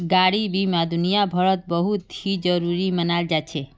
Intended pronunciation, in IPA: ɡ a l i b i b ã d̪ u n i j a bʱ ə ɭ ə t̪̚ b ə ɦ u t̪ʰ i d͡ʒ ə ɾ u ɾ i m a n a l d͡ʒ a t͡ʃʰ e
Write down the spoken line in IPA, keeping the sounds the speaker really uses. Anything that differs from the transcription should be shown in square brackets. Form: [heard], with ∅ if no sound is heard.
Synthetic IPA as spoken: ɡ a [ɽ] i b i [m] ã d̪ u n i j a bʱ ə ɭ ə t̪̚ b ə ɦ u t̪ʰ i d͡ʒ ə ɾ u ɾ i m [ə] n a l d͡ʒ a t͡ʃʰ e